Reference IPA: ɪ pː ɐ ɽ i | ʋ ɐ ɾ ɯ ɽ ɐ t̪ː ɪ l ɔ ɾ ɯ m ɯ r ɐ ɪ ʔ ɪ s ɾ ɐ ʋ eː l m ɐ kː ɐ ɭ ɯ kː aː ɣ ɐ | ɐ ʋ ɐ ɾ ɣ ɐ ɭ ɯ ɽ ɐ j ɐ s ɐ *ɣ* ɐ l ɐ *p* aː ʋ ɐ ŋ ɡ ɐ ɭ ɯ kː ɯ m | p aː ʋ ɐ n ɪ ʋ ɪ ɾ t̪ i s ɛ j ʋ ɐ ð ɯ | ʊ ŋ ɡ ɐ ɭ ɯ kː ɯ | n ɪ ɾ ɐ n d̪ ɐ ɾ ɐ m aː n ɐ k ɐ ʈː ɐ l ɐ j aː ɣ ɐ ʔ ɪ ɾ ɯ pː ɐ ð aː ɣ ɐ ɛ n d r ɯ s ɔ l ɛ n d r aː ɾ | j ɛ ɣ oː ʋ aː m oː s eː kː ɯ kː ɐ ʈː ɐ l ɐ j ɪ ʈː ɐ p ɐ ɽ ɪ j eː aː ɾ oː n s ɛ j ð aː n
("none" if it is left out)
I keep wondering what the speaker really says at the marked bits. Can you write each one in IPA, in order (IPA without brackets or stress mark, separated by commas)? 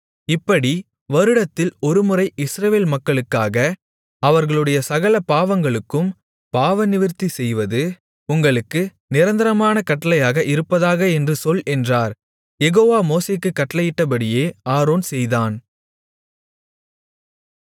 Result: ɣ, p